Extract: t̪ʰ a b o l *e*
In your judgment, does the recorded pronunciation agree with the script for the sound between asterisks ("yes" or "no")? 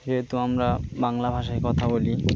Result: no